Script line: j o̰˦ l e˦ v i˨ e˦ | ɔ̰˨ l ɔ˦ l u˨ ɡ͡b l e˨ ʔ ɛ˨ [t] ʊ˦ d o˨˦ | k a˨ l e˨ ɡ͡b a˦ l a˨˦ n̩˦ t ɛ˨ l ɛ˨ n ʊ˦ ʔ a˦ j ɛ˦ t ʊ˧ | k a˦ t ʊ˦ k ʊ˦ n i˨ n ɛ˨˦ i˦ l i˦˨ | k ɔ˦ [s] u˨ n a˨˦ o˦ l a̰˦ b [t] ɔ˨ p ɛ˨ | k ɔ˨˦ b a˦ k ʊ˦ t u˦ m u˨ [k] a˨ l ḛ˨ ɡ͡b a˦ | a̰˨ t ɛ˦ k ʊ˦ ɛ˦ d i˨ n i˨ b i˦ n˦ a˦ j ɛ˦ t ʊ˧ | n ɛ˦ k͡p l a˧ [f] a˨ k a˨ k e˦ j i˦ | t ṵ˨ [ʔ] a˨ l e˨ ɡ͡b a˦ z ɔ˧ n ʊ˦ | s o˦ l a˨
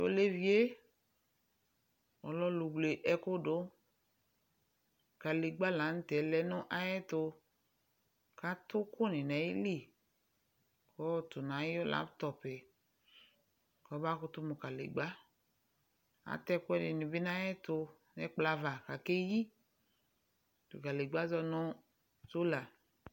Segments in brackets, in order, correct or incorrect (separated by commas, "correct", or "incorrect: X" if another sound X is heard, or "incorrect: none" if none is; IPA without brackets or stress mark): incorrect: k, incorrect: t, correct, correct, incorrect: v, incorrect: k